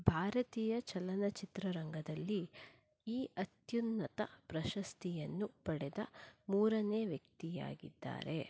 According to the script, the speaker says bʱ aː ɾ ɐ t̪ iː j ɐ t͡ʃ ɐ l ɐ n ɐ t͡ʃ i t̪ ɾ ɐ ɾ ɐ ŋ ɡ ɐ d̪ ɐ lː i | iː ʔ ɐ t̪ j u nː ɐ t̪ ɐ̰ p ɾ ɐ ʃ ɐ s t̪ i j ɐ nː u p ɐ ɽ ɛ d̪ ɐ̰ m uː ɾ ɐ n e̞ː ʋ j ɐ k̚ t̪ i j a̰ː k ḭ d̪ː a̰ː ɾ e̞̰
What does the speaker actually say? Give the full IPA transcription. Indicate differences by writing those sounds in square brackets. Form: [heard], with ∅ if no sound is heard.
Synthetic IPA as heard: bʱ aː ɾ ɐ t̪ iː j ɐ t͡ʃ ɐ l ɐ n ɐ t͡ʃ i t̪ ɾ ɐ ɾ ɐ ŋ ɡ ɐ d̪ ɐ lː i | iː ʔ ɐ t̪ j u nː ɐ t̪ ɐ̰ p ɾ ɐ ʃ ɐ s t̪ i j ɐ nː u p ɐ ɽ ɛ d̪ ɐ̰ m uː ɾ ɐ n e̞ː ʋ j ɐ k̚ t̪ i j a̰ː [ɡ] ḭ d̪ː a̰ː ɾ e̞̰